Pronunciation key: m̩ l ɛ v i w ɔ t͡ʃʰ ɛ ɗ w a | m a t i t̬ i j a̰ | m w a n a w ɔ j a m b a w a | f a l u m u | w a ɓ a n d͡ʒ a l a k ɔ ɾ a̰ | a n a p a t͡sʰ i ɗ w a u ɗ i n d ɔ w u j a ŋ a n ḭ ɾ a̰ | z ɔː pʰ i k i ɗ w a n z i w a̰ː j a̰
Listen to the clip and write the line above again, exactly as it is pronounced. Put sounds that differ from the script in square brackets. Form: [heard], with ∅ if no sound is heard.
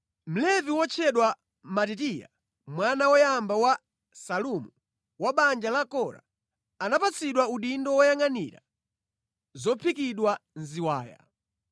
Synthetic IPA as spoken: m̩ l ɛ v i w ɔ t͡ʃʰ ɛ ɗ w a | m a t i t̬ i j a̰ | m w a n a w ɔ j a m b a w a | [s] a l u m u | w a ɓ a n d͡ʒ a l a k ɔ ɾ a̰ | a n a p a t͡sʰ i ɗ w a u ɗ i n d ɔ w [ɔ] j a ŋ a n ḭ ɾ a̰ | z [ɔ] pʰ i k i ɗ w a n z i w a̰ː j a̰